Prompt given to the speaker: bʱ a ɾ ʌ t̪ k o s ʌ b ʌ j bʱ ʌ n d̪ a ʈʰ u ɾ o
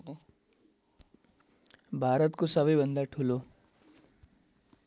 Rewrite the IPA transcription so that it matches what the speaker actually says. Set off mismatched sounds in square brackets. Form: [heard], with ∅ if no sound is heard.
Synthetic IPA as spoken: bʱ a ɾ ʌ t̪ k o s ʌ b ʌ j bʱ ʌ n d̪ a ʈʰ u [l] o